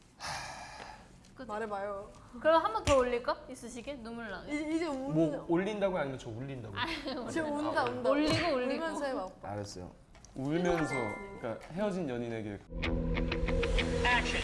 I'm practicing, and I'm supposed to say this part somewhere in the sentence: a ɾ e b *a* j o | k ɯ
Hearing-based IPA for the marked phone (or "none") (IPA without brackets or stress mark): a